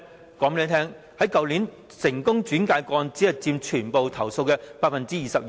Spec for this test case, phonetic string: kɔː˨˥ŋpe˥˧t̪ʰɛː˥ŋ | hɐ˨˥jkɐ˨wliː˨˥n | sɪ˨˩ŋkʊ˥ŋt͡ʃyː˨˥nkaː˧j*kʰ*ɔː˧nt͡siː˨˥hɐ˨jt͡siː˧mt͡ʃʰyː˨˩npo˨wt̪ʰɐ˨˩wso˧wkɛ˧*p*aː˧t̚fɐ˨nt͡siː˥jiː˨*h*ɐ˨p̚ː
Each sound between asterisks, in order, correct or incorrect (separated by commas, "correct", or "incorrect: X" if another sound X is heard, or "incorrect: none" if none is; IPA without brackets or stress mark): incorrect: k, correct, incorrect: s